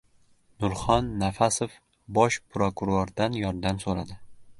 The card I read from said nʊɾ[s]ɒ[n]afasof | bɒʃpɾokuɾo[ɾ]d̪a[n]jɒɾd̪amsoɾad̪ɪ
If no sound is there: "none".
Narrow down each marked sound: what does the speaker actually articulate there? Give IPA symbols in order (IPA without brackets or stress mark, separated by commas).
χ, nː, ɾ, n